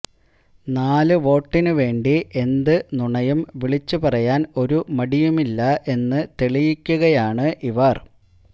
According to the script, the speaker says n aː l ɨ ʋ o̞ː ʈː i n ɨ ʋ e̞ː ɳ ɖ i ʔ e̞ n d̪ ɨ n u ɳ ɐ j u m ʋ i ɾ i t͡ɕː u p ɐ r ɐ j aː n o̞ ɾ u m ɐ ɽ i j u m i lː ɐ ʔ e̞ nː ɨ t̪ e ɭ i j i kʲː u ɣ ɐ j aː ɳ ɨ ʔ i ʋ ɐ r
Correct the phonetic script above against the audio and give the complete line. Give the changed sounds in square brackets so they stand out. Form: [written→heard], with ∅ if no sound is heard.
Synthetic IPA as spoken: n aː l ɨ ʋ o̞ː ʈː i n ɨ ʋ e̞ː ɳ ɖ i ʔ e̞ n d̪ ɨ n u ɳ ɐ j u m ʋ i [ɾ→ɭ] i t͡ɕː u p ɐ r ɐ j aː n o̞ ɾ u m ɐ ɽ i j u m i lː ɐ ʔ e̞ nː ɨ t̪ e ɭ i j i kʲː u ɣ ɐ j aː ɳ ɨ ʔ i ʋ ɐ r